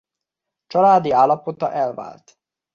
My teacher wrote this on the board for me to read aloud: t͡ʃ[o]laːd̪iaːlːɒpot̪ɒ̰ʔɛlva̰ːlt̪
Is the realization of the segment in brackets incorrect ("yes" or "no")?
yes